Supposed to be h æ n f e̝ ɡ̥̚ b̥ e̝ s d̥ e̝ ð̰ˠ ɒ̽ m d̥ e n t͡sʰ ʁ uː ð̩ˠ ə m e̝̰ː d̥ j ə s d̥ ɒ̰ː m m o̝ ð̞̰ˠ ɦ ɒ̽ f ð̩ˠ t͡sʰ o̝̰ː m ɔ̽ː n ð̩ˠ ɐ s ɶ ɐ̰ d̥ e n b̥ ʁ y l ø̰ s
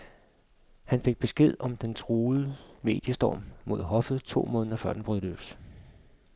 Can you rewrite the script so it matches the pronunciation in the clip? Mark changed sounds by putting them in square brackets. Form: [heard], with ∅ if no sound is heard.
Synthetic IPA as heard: h æ n f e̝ ɡ̥̚ b̥ e̝ s [ɡ̥] e̝ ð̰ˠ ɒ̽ m d̥ e n t͡sʰ ʁ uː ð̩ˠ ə m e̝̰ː d̥ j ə s d̥ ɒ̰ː m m o̝ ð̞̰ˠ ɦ ɒ̽ f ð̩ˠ t͡sʰ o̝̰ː m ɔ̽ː n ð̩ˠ ɐ [f] ɶ ɐ̰ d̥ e n b̥ ʁ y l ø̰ s